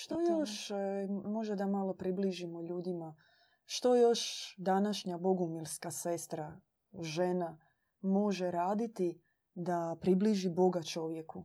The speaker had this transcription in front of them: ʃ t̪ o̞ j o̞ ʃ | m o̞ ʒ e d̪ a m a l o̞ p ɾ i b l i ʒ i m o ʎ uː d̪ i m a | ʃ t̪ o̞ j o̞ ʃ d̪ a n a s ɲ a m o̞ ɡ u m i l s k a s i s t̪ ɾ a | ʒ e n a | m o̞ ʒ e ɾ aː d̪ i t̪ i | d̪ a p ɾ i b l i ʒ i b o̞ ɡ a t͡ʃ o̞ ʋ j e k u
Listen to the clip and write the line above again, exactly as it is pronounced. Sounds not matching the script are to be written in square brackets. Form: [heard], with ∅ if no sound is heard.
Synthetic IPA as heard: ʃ t̪ o̞ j o̞ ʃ | m o̞ ʒ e d̪ a m a l o̞ p ɾ i b l i ʒ i m o ʎ uː d̪ i m a | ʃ t̪ o̞ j o̞ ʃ d̪ a n a [ʃ] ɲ a [b] o̞ ɡ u m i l s k a s [e] s t̪ ɾ a | ʒ e n a | m o̞ ʒ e ɾ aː d̪ i t̪ i | d̪ a p ɾ i b l i ʒ i b o̞ ɡ a t͡ʃ o̞ ʋ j e k u